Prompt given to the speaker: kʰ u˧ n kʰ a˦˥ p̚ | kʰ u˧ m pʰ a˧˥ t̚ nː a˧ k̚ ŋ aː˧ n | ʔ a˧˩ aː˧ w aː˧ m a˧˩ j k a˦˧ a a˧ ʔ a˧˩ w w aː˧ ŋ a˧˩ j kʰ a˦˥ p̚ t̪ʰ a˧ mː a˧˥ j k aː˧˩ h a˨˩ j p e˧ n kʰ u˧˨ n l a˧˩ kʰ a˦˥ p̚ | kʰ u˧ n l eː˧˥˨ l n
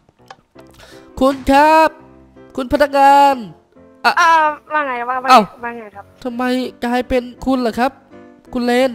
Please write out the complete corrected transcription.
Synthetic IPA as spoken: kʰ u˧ n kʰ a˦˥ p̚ | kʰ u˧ n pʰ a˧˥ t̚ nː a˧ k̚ ŋ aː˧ n | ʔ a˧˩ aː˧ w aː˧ ŋ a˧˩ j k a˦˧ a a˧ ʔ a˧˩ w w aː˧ ŋ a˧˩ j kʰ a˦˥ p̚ t̪ʰ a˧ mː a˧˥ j k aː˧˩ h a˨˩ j p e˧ n kʰ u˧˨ n l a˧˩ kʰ a˦˥ p̚ | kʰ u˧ n l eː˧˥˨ n